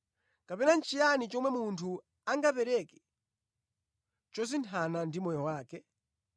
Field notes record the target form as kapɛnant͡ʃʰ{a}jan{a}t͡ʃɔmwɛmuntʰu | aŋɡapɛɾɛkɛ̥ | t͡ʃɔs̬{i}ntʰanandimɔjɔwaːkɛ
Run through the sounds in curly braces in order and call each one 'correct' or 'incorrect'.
incorrect: i, incorrect: i, correct

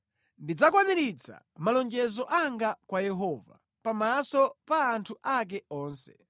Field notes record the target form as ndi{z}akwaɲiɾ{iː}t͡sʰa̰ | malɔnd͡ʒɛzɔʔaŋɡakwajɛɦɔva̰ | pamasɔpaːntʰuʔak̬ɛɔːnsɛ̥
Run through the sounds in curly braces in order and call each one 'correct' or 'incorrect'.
incorrect: d͡z, incorrect: i

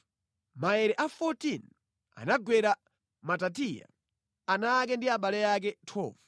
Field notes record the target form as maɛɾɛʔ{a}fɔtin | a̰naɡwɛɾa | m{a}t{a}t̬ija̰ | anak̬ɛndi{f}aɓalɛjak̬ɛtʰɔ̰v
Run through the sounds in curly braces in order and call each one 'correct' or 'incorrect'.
correct, correct, correct, incorrect: none

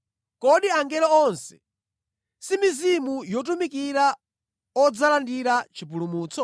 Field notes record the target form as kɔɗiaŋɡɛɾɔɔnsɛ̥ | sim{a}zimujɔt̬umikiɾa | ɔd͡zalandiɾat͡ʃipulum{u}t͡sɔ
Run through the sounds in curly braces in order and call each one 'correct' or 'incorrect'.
incorrect: i, incorrect: uː

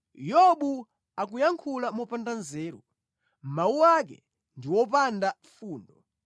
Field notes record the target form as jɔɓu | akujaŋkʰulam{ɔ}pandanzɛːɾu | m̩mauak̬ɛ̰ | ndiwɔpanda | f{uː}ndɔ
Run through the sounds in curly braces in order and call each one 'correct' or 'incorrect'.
correct, correct

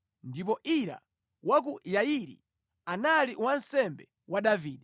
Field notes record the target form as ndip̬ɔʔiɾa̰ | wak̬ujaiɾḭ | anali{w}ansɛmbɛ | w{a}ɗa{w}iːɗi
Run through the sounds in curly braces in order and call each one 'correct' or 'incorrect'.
correct, correct, incorrect: v

